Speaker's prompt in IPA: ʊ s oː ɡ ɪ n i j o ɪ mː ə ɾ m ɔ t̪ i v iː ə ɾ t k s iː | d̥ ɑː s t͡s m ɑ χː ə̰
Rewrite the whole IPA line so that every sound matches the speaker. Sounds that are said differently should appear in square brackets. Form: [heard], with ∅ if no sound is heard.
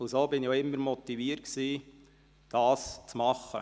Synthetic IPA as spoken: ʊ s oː [b] ɪ n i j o ɪ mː ə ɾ m ɔ t̪ i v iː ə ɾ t k s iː | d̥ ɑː s t͡s m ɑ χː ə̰